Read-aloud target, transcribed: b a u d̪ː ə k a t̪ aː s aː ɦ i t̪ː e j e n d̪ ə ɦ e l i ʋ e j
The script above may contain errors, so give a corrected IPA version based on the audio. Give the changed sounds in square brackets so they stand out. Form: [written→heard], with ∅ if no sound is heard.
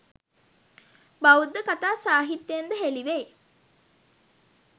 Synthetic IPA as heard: b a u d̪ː ə k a t̪ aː s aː ɦ i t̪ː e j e n d̪ ə ɦ e l i ʋ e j